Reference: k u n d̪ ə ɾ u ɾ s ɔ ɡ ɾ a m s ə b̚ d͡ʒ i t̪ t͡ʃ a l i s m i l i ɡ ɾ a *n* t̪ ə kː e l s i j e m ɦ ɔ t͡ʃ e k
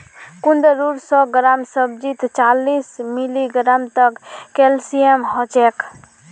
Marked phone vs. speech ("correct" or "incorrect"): incorrect